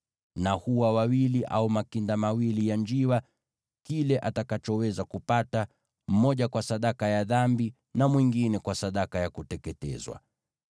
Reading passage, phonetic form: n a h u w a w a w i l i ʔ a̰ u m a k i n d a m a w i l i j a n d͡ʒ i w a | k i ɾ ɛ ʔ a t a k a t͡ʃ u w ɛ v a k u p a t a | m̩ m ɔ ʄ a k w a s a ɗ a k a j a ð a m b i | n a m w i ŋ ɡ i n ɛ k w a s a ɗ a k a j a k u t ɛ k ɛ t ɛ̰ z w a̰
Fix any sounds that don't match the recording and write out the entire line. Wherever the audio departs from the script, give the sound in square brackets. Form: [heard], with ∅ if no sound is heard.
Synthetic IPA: n a h u w a w a w i l i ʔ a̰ u m a k i n d a m a w i l i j a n d͡ʒ i w a | k i [l] ɛ ʔ a t a k a t͡ʃ [ɔ] w ɛ [z] a k u p a t a | m̩ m ɔ ʄ a k w a s a ɗ a k a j a ð a m b i | n a m w i ŋ ɡ i n ɛ k w a s a ɗ a k a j a k u t ɛ k ɛ t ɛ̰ z w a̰